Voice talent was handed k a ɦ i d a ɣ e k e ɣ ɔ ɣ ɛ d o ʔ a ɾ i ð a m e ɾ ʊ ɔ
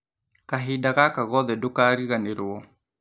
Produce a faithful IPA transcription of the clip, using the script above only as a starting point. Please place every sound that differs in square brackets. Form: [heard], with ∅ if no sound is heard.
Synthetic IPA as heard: k a ɦ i d a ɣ [a] k [a] ɣ ɔ [ð] ɛ d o [k] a ɾ i [ɣ] a [n] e ɾ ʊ ɔ